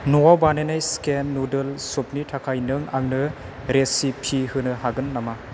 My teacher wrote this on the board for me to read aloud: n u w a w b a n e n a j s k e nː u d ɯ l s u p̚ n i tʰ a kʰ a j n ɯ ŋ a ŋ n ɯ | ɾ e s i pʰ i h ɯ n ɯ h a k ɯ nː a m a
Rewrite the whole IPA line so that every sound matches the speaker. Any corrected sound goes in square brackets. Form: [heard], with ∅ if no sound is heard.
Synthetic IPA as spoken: n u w a w b a n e n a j s k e nː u d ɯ l s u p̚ n i tʰ a kʰ a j n ɯ ŋ a ŋ n ɯ | ɾ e s i pʰ i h ɯ n ɯ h a [ɡ] ɯ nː a m a